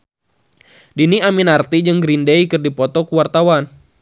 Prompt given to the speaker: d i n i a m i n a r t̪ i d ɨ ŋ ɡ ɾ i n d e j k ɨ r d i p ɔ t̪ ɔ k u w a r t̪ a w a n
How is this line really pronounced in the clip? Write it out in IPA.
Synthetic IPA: d i n i a m i n a r t̪ i d͡ʒ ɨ ŋ ɡ ɾ i n d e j k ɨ r d i p ɔ t̪ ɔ k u w a r t̪ a w a n